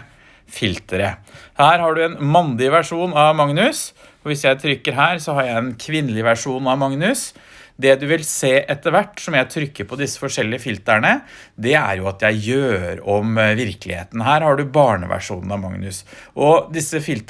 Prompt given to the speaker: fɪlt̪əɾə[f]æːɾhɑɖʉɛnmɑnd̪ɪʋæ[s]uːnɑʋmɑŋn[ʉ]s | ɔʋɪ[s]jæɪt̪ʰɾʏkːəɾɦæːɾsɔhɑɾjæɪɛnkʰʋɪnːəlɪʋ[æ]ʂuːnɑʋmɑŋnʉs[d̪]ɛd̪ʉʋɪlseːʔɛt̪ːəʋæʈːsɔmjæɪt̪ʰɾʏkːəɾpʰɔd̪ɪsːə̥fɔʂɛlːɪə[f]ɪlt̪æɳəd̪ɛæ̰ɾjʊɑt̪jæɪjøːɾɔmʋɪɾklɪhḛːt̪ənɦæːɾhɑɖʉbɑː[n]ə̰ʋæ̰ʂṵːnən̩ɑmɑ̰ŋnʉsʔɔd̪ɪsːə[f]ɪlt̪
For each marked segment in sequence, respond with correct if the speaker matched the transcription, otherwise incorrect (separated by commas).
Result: incorrect, incorrect, correct, correct, correct, correct, correct, incorrect, correct